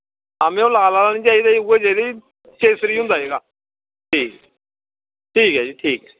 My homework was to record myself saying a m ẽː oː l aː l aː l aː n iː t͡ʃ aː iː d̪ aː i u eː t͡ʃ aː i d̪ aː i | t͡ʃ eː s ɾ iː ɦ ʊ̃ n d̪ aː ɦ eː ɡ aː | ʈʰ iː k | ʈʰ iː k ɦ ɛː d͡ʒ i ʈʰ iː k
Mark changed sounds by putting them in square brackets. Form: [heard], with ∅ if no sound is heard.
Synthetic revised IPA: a m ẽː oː l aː l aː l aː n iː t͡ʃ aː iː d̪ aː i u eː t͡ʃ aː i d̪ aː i | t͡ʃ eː s ɾ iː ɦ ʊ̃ n d̪ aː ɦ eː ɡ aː | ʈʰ iː k | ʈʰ iː k ɦ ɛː d͡ʒ i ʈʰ iː k